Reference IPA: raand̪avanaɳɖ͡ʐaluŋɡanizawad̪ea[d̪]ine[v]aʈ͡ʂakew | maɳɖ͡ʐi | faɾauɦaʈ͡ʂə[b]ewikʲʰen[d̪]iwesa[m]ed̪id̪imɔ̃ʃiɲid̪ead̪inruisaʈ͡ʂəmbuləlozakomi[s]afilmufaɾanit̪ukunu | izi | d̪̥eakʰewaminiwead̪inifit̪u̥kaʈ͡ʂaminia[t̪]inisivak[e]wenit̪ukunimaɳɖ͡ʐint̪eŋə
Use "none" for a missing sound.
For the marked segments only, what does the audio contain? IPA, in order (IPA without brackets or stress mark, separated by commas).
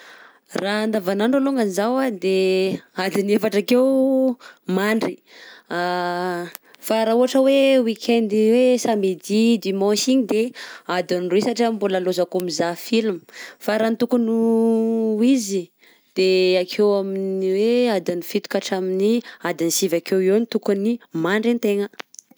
d̪, f, w, d̪, m, z, d̪, e